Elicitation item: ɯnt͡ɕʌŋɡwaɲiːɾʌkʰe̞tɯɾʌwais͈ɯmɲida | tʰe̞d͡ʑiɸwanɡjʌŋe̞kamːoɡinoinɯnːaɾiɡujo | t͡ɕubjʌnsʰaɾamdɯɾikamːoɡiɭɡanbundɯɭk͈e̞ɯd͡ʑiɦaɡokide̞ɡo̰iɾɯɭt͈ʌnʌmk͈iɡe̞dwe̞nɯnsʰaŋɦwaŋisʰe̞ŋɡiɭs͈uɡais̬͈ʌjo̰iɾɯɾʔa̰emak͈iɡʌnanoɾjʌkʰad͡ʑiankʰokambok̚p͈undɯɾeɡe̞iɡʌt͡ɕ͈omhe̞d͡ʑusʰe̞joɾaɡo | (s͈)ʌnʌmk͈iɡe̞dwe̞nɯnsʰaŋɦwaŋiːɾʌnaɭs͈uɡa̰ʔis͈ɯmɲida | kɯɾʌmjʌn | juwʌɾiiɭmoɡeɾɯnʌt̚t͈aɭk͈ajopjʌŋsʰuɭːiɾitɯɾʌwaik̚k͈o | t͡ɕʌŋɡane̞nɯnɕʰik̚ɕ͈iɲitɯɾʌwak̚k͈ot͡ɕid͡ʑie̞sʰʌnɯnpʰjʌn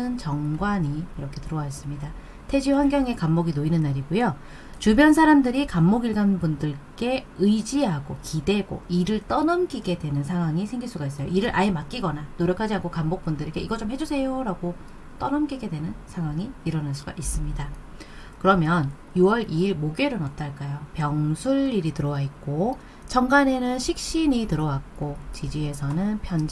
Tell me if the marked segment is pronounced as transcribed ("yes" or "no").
no